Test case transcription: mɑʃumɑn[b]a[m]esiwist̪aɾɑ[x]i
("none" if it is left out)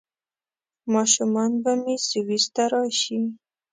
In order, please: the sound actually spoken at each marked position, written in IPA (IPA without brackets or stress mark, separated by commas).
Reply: b, m, ʃ